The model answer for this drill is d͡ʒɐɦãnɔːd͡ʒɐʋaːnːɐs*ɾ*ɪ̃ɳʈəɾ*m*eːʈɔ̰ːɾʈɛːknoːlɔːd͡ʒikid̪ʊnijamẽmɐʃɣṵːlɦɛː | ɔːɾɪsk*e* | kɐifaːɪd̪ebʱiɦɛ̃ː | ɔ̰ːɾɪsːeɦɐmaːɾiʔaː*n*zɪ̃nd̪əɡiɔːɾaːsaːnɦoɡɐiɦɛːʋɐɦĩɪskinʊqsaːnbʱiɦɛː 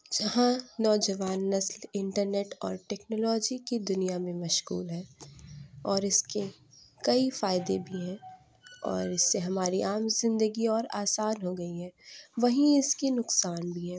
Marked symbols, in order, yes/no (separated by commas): no, no, yes, no